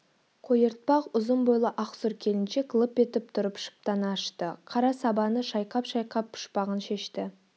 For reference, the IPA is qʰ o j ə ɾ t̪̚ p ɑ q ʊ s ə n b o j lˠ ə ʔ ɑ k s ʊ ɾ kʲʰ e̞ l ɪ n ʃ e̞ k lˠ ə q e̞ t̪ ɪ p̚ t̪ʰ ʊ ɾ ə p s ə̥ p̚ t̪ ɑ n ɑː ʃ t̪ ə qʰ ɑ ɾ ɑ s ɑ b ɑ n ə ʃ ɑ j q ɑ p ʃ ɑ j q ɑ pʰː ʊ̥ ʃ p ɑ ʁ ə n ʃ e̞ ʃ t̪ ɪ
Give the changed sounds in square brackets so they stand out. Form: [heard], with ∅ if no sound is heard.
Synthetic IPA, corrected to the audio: qʰ o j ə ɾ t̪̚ p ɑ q ʊ [z] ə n b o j lˠ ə ʔ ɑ [q] s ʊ ɾ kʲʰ e̞ l ɪ n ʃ e̞ k lˠ ə [p] e̞ t̪ ɪ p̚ t̪ʰ ʊ ɾ ə p [ʃ] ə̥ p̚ t̪ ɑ n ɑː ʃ t̪ ə qʰ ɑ ɾ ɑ s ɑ b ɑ n ə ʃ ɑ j q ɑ p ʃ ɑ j q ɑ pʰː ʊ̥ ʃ p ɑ ʁ ə n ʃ e̞ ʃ t̪ ɪ

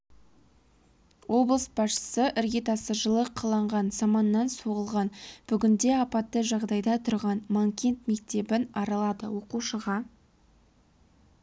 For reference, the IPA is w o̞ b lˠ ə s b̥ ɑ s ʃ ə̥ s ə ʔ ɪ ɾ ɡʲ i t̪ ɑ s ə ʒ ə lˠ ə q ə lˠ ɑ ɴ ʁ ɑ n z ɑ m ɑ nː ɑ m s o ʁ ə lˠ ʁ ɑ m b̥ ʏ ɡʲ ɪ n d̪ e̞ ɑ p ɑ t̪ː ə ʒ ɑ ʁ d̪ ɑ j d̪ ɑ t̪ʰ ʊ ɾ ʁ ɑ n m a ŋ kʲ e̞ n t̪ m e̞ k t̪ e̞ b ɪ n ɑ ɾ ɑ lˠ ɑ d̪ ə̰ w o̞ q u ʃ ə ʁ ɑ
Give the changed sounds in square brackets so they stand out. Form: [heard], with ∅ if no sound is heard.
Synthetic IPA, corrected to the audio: w o̞ b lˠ ə s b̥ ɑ s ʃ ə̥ s ə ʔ ɪ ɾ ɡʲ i t̪ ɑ s ə ʒ ə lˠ ə [qʰ] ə lˠ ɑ ɴ ʁ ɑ n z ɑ m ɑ nː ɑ [n] s o ʁ ə lˠ ʁ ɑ [n] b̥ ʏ ɡʲ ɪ n d̪ e̞ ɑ p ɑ t̪ː ə ʒ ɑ ʁ d̪ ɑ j d̪ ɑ t̪ʰ ʊ ɾ ʁ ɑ n m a ŋ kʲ e̞ n t̪ m e̞ k t̪ e̞ b ɪ n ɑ ɾ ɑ lˠ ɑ d̪ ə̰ w o̞ q u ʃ ə ʁ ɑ

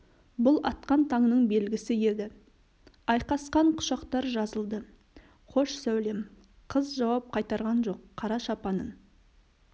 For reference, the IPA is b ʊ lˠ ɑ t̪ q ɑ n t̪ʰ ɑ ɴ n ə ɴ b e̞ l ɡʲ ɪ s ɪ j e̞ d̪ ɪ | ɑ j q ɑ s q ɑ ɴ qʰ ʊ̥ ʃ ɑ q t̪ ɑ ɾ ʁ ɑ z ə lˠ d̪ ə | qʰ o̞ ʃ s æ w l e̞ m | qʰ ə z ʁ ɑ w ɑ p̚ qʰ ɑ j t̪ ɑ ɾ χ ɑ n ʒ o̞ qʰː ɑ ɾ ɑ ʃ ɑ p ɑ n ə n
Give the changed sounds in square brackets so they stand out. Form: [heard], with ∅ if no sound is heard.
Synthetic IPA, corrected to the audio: b ʊ lˠ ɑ t̪ q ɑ n t̪ʰ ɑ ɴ n ə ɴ b e̞ l ɡʲ ɪ s ɪ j e̞ d̪ ɪ | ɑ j q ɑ s q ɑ ɴ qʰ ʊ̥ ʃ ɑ q t̪ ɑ ɾ [ʒ] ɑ z ə lˠ d̪ ə | qʰ o̞ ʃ s æ w l e̞ m | qʰ ə z [ʒ] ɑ w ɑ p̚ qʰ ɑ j t̪ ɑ ɾ [ʁ] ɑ n ʒ o̞ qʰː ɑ ɾ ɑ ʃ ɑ p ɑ n ə n

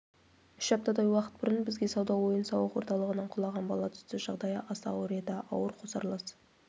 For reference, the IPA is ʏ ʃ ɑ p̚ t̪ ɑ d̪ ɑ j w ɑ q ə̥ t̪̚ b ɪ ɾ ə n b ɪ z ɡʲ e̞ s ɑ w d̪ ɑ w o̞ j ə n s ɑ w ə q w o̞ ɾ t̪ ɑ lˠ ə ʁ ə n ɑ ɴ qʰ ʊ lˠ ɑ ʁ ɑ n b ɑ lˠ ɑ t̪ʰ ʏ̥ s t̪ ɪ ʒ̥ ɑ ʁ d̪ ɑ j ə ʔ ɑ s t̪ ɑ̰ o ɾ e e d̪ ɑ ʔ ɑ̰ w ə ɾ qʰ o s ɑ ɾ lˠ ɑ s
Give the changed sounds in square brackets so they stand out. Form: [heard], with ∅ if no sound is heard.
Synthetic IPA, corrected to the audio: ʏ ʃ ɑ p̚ t̪ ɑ d̪ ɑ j w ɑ q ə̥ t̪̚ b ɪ ɾ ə n b ɪ z ɡʲ e̞ s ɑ w d̪ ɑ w o̞ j ə n s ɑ w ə q w o̞ ɾ t̪ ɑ lˠ ə ʁ ə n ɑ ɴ qʰ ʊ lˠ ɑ ʁ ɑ n b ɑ lˠ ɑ t̪ʰ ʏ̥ s t̪ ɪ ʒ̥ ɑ ʁ d̪ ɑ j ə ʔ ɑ s t̪ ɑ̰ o ɾ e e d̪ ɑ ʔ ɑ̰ w ə ɾ qʰ o s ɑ ɾ lˠ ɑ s

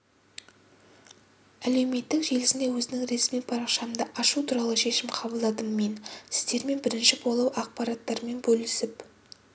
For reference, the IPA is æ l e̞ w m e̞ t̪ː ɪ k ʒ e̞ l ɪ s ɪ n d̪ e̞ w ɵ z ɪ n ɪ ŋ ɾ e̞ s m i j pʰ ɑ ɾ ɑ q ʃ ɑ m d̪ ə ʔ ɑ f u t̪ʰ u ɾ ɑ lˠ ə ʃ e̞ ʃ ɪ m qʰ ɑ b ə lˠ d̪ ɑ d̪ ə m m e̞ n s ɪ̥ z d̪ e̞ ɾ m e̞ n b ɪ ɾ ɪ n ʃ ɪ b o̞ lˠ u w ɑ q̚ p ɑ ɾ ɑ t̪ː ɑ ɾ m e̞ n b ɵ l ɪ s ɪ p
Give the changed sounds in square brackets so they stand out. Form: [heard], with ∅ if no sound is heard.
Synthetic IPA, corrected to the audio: æ l e̞ w m e̞ t̪ː ɪ k ʒ e̞ l ɪ s ɪ n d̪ e̞ w ɵ z ɪ n ɪ ŋ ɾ e̞ s m i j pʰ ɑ ɾ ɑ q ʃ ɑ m d̪ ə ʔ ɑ [ʃ] u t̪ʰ u ɾ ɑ lˠ ə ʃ e̞ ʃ ɪ m qʰ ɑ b ə lˠ d̪ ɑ d̪ ə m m e̞ n s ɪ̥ z d̪ e̞ ɾ m e̞ n b ɪ ɾ ɪ n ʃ ɪ b o̞ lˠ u w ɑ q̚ p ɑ ɾ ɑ t̪ː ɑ ɾ m e̞ n b ɵ l ɪ s ɪ p

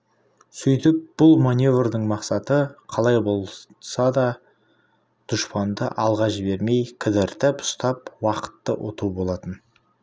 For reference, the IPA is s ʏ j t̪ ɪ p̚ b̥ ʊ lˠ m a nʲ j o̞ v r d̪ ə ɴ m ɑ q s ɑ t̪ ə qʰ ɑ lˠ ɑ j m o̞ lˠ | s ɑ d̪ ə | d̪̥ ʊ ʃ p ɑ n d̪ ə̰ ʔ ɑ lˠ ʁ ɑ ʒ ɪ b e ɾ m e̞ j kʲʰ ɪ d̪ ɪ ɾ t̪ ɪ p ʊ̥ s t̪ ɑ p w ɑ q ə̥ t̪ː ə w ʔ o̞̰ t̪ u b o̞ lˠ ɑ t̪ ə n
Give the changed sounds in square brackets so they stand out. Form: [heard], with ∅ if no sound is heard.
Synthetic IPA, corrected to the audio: s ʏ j t̪ ɪ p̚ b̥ ʊ lˠ m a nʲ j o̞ v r d̪ ə ɴ m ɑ q s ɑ t̪ ə qʰ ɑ lˠ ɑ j [b] o̞ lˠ | s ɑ d̪ [ɑ] | d̪̥ ʊ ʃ p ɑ n d̪ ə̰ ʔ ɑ lˠ ʁ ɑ ʒ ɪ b e ɾ m e̞ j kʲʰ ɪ d̪ ɪ ɾ t̪ ɪ p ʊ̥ s t̪ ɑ p w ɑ q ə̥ t̪ː ə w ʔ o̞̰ t̪ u b o̞ lˠ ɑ t̪ ə n

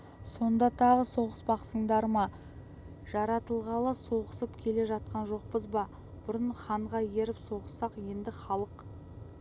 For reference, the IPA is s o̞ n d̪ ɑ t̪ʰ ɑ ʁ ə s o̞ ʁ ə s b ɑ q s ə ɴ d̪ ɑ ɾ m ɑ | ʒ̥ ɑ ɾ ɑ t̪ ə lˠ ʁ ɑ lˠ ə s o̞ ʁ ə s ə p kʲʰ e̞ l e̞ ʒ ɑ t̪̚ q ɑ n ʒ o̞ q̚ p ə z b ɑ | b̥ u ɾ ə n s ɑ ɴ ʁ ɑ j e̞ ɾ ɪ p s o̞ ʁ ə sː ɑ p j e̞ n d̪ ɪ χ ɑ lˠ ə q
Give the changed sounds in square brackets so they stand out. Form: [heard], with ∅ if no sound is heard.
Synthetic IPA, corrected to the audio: s o̞ n d̪ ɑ t̪ʰ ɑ ʁ ə s o̞ ʁ ə s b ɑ q s ə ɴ d̪ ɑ ɾ m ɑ | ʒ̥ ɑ ɾ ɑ t̪ ə lˠ ʁ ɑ lˠ ə s o̞ ʁ ə s ə p kʲʰ e̞ l e̞ ʒ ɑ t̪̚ q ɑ n ʒ o̞ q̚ p ə z b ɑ | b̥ [ʊ] ɾ ə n [χ] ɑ ɴ ʁ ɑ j e̞ ɾ ɪ p s o̞ ʁ ə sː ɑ [q] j e̞ n d̪ ɪ χ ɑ lˠ ə q

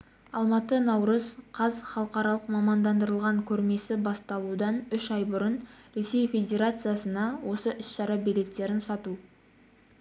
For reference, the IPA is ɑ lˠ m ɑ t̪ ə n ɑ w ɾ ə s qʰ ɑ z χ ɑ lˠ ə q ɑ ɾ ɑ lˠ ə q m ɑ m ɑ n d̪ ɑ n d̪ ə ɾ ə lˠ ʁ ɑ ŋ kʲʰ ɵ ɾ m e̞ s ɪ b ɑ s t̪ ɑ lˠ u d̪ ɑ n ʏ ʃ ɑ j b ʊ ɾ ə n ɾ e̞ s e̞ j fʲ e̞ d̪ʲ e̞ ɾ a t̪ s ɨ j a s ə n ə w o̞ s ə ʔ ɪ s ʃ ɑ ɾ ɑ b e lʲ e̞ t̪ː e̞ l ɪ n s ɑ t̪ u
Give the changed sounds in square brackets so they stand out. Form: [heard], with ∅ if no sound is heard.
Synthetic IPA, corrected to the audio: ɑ lˠ m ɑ t̪ ə n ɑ w ɾ ə [z] qʰ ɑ z χ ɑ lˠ ə q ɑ ɾ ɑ lˠ ə q m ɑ m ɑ n d̪ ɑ n d̪ ə ɾ ə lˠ ʁ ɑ ŋ kʲʰ ɵ ɾ m e̞ s ɪ b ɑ s t̪ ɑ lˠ u d̪ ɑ n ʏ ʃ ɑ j b ʊ ɾ ə n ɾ e̞ s e̞ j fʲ e̞ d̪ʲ e̞ ɾ a t̪ s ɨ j a s ə n [ɑ] w o̞ s ə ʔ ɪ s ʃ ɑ ɾ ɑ b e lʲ e̞ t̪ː e̞ [ɾ] ɪ n s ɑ t̪ u

